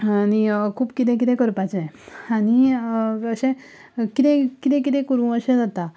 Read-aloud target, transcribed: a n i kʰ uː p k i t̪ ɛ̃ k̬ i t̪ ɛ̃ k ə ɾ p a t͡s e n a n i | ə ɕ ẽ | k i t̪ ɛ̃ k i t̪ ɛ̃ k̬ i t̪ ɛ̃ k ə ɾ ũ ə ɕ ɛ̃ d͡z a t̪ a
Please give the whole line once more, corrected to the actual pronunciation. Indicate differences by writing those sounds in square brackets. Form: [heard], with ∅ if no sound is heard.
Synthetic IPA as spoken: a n i kʰ uː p k i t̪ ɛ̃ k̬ i t̪ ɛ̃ k ə ɾ p a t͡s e [∅] a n i | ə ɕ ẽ | k i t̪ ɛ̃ k i t̪ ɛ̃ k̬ i t̪ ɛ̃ k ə ɾ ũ ə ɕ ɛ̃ d͡z a t̪ a